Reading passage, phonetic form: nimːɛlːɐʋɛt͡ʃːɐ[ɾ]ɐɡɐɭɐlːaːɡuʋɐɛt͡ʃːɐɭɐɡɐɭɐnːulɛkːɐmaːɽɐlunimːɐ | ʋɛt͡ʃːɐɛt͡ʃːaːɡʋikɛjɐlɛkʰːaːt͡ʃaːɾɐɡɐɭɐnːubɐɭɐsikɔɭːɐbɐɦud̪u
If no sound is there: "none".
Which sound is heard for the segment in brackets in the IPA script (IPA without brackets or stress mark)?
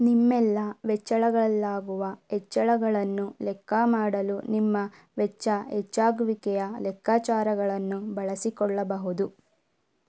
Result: ɭ